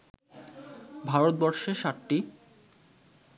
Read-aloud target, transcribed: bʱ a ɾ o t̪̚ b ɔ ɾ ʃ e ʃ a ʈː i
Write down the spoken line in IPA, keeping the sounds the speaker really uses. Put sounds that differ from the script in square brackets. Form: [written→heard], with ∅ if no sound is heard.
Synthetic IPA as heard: bʱ a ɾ o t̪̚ b ɔ ɾ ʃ e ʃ a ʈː i